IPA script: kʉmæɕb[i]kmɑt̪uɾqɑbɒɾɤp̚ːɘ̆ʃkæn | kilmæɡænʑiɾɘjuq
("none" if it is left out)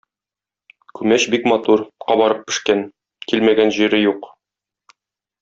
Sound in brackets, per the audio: i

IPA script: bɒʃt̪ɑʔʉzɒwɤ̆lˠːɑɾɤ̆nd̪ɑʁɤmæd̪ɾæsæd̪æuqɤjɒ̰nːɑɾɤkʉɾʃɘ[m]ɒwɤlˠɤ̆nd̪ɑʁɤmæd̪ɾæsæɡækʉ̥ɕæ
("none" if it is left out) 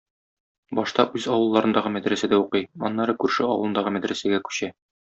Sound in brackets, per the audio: none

